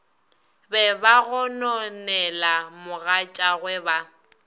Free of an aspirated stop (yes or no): yes